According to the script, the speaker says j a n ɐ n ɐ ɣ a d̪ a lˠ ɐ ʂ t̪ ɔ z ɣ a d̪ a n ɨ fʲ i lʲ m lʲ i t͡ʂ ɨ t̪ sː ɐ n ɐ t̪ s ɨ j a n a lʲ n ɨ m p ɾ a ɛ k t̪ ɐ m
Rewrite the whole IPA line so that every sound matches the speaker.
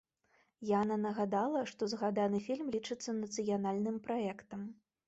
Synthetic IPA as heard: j a n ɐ n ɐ ɣ a d̪ a lˠ ɐ ʂ t̪ ɔ z ɣ a d̪ a n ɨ fʲ i lʲ m lʲ i t͡ʂ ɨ t̪ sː ɐ n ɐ t̪ s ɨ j a n a lʲ n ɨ m p ɾ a ɛ k t̪ ɐ m